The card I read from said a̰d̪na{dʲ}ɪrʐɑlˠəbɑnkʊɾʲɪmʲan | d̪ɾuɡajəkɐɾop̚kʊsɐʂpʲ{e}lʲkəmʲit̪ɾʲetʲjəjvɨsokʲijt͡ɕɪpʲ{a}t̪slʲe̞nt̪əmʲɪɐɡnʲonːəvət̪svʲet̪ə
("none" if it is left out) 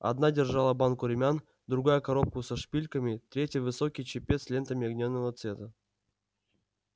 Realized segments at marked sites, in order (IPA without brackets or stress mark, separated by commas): dʲ, i, e